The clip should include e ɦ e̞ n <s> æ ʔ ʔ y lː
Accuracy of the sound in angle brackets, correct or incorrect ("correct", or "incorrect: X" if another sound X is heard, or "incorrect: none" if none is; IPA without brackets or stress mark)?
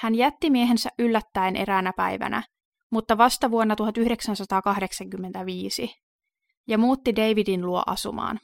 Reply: correct